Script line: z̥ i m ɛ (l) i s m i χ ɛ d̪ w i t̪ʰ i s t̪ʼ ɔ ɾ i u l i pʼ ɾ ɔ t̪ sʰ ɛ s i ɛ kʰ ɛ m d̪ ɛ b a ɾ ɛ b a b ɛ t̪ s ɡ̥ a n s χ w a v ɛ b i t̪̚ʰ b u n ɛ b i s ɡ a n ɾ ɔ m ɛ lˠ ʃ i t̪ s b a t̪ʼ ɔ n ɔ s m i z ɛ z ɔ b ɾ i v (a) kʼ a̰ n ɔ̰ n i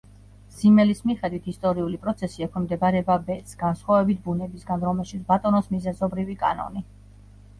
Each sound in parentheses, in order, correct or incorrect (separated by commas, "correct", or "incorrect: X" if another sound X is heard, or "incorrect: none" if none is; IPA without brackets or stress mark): correct, incorrect: i